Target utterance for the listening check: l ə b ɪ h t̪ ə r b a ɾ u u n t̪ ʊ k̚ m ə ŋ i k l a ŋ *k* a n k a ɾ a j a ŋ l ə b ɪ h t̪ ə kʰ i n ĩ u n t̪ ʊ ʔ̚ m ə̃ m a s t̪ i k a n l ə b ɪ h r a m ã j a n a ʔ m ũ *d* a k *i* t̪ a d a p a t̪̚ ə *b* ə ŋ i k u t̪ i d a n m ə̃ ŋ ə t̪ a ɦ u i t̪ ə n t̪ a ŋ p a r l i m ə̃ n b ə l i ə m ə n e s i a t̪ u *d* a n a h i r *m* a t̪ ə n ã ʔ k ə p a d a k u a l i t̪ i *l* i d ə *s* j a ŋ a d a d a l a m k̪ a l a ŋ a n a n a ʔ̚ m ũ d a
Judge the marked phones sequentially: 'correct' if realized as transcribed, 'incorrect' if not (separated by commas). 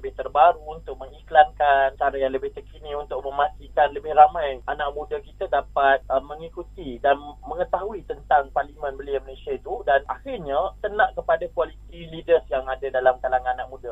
correct, correct, correct, incorrect, correct, incorrect, correct, correct